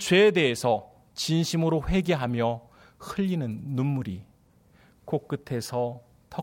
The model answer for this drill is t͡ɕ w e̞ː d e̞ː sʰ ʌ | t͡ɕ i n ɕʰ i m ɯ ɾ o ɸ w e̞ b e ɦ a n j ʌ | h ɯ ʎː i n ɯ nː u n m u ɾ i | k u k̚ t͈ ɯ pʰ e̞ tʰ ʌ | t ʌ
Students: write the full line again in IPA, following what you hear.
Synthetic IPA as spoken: t͡ɕ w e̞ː d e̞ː sʰ ʌ | t͡ɕ i n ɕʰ i m ɯ ɾ o ɸ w e̞ ɡ e ɦ a m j ʌ | h ɯ ʎː i n ɯ nː u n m u ɾ i | k o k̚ k͈ ɯ tʰ e̞ sʰ ʌ | t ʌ